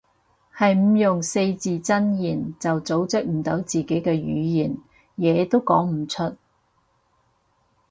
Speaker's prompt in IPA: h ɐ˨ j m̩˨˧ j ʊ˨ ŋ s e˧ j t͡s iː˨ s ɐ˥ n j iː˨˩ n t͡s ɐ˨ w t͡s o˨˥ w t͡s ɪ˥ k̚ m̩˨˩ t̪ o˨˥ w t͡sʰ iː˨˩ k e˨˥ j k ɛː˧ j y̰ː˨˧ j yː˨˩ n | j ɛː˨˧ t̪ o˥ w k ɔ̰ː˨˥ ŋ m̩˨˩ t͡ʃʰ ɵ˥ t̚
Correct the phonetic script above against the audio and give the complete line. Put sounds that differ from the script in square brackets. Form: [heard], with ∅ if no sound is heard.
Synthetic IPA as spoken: h ɐ˨ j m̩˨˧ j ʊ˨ ŋ s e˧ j t͡s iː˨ [t͡s] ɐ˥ n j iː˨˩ n t͡s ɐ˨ w t͡s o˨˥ w t͡s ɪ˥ k̚ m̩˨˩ t̪ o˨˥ w [t͡s] iː˨˩ k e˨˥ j k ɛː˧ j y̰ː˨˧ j [iː˨˩] n | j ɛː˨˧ t̪ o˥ w k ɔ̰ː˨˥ ŋ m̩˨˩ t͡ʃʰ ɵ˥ t̚